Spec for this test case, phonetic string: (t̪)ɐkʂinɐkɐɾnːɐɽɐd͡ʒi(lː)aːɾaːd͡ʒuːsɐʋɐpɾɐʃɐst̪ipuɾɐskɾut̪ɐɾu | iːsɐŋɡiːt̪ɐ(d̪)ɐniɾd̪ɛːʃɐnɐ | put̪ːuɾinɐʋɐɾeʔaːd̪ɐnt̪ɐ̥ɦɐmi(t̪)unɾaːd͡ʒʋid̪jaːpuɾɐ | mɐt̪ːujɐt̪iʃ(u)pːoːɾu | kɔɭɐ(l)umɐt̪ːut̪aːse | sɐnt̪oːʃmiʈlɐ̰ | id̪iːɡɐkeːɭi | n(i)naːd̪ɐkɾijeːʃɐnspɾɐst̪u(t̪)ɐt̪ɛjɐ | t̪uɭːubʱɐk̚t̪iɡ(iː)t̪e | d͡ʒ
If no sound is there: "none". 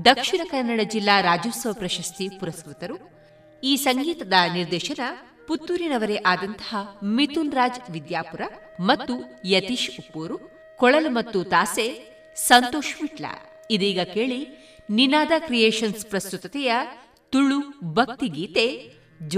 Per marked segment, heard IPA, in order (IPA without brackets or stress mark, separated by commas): d̪, lː, d̪, t̪, u, l, i, t̪, iː